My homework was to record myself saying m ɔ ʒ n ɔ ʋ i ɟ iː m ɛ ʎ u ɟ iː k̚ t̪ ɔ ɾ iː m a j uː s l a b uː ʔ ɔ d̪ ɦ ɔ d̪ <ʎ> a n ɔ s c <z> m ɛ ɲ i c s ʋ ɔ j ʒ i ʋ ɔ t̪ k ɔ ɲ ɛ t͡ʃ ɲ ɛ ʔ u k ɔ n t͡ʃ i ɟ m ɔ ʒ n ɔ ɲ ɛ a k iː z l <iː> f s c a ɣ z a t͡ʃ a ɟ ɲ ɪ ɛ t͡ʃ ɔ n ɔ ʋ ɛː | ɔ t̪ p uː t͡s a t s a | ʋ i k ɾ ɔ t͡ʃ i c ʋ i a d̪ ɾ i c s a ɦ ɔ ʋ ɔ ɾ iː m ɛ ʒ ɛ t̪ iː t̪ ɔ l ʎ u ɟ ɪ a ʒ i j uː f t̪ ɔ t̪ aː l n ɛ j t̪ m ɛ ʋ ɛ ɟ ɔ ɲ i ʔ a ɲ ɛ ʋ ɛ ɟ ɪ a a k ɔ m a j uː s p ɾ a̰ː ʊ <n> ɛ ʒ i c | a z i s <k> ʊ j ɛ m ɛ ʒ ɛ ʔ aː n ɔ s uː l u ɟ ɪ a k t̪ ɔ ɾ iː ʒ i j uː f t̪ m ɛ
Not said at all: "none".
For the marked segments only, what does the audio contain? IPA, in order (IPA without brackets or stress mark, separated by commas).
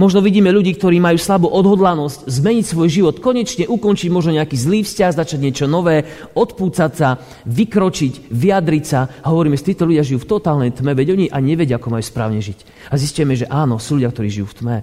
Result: l, z, iː, ɲ, c